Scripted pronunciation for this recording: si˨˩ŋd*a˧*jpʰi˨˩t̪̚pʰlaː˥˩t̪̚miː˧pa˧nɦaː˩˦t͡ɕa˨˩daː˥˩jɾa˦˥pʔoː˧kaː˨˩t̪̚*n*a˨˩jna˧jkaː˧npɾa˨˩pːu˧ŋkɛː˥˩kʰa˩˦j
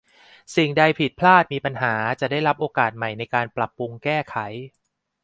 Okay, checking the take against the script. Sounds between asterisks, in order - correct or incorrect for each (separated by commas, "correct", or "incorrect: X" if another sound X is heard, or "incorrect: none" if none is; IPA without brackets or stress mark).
correct, incorrect: m